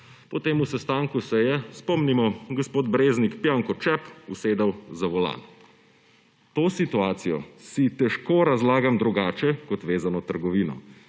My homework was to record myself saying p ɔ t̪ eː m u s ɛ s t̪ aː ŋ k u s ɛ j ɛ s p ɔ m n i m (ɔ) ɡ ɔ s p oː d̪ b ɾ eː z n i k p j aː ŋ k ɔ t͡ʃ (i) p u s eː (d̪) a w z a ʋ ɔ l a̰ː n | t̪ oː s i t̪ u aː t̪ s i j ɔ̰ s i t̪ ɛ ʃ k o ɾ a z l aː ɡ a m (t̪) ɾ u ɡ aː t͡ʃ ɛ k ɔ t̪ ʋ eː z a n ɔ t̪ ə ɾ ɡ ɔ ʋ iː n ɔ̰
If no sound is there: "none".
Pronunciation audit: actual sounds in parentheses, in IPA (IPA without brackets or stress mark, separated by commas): ɔ, ɛ, d̪, d̪